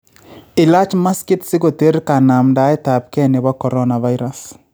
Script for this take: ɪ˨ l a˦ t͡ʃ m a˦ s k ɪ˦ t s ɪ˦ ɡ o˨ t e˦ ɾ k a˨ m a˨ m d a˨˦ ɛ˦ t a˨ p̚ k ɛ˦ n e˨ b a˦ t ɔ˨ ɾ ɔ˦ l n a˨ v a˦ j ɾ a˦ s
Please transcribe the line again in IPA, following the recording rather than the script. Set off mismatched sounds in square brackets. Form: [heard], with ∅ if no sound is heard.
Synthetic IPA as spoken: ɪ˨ l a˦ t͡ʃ m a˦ s k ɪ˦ t s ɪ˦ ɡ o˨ t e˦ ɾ k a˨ [n] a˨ m d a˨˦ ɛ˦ t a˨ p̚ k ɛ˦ n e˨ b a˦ [k] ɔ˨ ɾ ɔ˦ [∅] n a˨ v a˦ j ɾ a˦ s